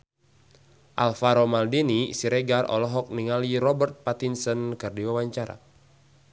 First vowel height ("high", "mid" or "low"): low